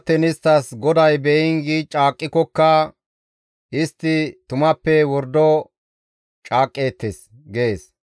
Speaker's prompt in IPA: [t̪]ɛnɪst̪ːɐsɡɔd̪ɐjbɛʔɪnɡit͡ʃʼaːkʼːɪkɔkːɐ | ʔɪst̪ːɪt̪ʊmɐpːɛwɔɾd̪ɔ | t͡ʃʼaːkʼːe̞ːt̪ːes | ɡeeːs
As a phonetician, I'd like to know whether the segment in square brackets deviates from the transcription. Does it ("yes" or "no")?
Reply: no